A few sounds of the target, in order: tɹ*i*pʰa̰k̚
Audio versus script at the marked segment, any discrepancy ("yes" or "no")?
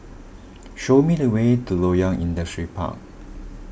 no